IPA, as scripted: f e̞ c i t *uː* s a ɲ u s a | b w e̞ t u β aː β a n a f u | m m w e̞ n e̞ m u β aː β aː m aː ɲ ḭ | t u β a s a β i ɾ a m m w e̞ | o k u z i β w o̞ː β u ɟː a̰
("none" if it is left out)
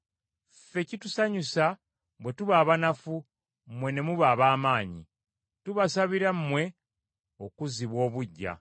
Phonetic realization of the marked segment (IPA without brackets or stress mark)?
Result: u